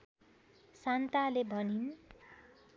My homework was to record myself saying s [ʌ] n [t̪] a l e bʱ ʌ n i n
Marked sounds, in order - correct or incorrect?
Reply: incorrect: a, correct

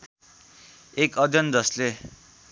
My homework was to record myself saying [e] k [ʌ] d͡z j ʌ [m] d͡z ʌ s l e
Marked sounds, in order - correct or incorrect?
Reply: correct, correct, incorrect: n

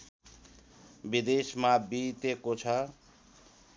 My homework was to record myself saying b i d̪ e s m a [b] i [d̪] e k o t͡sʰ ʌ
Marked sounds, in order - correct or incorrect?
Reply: correct, incorrect: t̪

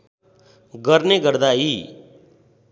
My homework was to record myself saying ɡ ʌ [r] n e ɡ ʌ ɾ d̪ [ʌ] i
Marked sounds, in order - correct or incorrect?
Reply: incorrect: ɾ, incorrect: a

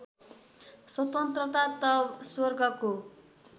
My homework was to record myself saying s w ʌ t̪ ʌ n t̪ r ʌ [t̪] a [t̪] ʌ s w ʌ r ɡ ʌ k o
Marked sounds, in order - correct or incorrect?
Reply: correct, correct

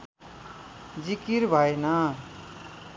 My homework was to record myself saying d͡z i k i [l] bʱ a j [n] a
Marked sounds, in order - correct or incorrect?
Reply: incorrect: ɾ, correct

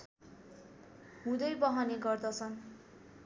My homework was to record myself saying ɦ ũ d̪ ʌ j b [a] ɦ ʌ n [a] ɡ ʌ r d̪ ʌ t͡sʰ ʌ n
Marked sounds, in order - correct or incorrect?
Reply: incorrect: ʌ, incorrect: e

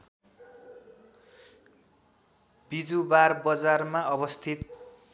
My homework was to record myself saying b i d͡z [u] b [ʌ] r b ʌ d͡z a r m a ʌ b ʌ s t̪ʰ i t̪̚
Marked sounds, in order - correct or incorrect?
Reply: correct, incorrect: a

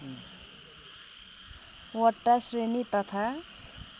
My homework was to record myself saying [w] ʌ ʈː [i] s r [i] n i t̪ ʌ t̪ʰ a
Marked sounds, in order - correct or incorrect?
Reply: correct, incorrect: a, incorrect: e

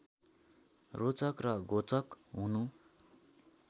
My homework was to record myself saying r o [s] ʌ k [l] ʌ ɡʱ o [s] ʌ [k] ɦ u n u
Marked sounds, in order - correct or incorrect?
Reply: incorrect: t͡s, incorrect: r, incorrect: t͡s, correct

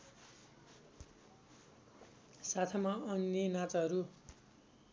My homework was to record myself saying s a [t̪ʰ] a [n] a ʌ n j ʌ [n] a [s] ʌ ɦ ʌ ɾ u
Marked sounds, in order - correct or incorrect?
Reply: correct, incorrect: m, correct, incorrect: t͡s

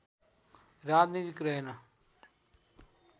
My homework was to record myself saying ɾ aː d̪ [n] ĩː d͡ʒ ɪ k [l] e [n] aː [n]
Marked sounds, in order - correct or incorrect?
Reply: correct, incorrect: ɾ, correct, incorrect: none

